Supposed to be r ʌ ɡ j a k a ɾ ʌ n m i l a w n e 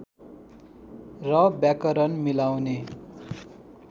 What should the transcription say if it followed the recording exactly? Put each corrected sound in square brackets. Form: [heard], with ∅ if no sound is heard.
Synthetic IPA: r ʌ [b] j a k [ʌ] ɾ ʌ n m i l a w n e

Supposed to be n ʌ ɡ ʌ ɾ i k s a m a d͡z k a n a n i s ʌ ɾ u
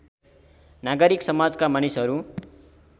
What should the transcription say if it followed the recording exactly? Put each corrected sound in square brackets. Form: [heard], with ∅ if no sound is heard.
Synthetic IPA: n [a] ɡ ʌ ɾ i k s [ʌ] m a d͡z k a [m] a n i s ʌ ɾ u

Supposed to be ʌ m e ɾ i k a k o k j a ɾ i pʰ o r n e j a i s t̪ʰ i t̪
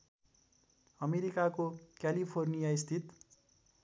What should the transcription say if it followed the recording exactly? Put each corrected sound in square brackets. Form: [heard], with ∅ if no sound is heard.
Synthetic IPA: ʌ m e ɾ i k a k o k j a [l] i pʰ o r n [i] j a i s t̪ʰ i t̪

